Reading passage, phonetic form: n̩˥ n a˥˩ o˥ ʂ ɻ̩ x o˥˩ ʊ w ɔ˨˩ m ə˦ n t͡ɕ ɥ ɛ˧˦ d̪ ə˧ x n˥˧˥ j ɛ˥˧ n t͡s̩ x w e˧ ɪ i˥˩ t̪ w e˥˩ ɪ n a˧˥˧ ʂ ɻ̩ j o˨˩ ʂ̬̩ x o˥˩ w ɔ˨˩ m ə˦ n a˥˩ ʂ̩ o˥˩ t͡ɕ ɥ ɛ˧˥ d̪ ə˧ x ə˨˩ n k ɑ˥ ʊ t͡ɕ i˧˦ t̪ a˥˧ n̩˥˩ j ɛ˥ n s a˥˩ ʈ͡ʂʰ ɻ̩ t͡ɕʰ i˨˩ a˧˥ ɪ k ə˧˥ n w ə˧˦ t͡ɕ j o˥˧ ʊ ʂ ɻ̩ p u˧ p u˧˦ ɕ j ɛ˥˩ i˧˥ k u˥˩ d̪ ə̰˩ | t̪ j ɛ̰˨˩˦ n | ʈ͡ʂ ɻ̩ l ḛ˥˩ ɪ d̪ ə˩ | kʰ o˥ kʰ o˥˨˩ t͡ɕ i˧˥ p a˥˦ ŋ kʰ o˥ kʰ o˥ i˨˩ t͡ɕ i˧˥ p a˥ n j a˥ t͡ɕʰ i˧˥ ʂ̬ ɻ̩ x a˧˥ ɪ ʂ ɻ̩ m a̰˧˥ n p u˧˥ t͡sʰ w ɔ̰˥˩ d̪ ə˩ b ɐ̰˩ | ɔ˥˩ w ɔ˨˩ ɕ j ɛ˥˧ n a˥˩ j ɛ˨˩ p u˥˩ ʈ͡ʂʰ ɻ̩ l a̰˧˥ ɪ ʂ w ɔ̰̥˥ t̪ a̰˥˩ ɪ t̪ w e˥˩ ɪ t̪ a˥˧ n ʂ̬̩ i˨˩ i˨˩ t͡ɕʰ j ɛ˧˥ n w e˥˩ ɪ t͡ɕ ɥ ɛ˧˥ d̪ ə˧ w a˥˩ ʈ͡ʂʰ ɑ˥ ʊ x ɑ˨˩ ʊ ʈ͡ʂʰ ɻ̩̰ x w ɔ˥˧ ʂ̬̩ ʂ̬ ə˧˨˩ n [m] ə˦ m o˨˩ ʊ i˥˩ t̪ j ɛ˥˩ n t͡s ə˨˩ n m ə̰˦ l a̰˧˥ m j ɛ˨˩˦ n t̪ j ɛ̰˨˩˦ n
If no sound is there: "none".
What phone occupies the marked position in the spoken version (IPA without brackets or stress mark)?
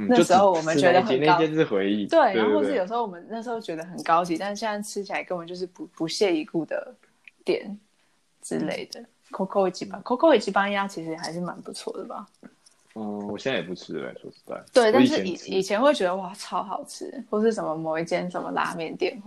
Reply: m